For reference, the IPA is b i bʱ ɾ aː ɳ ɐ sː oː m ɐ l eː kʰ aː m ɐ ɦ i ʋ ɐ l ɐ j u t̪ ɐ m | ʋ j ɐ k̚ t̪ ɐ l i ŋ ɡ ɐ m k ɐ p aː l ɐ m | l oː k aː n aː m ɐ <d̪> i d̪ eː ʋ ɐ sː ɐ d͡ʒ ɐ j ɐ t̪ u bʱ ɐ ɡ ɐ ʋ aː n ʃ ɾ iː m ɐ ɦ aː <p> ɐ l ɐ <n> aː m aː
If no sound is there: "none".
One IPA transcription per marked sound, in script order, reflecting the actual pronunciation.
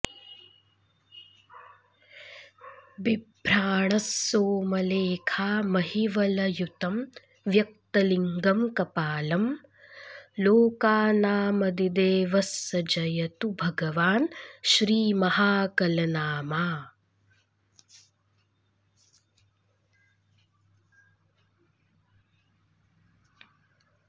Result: d̪, k, n

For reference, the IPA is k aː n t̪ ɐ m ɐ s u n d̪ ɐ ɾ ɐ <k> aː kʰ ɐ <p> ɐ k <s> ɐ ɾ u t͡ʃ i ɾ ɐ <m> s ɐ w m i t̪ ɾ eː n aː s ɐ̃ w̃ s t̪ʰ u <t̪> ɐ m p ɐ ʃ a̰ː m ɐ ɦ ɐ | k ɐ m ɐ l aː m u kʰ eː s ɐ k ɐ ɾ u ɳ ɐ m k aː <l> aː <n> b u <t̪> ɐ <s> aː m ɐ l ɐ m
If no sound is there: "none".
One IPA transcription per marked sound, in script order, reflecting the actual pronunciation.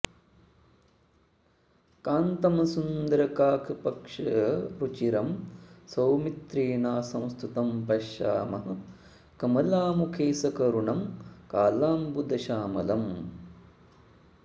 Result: k, p, ʂ, m, t̪, l, m, d̪, ʃ

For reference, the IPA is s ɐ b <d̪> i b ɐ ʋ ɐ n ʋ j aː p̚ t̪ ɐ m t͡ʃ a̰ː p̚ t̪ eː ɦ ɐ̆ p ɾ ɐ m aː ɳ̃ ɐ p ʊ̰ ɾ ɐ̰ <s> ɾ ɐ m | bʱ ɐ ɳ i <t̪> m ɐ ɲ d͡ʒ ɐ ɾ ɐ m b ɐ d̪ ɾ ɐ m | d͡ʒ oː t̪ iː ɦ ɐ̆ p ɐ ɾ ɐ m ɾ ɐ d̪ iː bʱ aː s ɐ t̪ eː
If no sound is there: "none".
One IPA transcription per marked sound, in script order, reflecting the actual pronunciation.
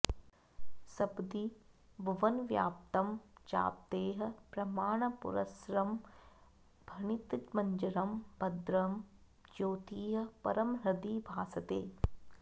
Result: d̪, s, t̪

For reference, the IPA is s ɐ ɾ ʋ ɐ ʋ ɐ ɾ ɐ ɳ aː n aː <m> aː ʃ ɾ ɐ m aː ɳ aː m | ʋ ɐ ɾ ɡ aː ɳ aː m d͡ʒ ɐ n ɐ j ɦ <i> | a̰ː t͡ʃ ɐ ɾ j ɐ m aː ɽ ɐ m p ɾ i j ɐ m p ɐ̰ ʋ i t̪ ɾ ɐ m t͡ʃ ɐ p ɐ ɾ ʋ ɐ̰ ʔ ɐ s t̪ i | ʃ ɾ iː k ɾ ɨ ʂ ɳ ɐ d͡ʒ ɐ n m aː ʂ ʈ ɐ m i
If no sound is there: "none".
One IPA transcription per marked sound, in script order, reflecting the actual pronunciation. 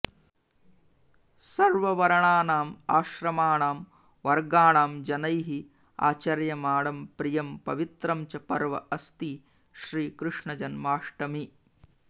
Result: m, i

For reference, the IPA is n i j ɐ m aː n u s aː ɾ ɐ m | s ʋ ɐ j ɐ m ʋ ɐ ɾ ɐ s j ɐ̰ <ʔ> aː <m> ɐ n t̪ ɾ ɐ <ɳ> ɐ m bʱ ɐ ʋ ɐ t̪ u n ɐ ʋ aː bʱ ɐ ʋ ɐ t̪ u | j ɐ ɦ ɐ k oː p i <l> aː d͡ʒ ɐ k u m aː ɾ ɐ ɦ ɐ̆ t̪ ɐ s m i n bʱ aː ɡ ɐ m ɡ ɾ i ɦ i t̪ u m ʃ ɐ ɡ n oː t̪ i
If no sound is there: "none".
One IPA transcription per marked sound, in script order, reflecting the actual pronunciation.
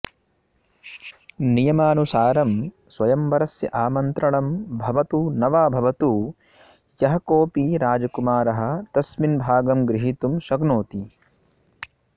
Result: ʔ, m, ɳ, ɾ

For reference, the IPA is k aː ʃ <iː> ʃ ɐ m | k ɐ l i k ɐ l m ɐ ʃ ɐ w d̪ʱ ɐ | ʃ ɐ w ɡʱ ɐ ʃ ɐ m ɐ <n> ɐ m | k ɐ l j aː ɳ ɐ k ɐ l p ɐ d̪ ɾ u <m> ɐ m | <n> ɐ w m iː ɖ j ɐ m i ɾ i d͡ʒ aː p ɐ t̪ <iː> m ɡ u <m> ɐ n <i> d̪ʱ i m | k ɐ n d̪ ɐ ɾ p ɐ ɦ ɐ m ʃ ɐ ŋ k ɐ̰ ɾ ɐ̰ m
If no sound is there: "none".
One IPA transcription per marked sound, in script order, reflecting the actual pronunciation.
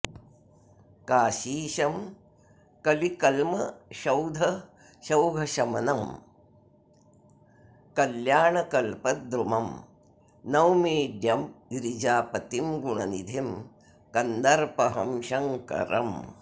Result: iː, n, m, n, i, ɳ, i

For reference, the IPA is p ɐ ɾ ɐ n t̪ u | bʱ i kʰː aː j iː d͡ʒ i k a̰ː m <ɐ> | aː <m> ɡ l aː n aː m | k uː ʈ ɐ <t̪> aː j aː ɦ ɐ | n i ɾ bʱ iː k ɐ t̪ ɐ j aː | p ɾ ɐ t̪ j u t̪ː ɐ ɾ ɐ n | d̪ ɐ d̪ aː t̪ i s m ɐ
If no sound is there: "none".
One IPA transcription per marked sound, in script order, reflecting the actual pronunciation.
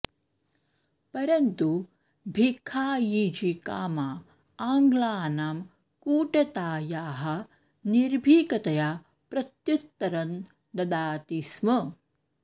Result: a, ŋ, t̪

